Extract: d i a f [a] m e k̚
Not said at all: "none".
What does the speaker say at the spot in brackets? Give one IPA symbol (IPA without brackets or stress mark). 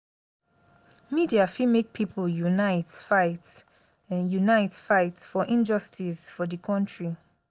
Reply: i